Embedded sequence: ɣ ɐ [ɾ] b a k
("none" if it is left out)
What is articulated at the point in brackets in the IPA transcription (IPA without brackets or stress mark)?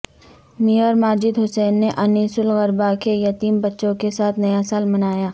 ɾ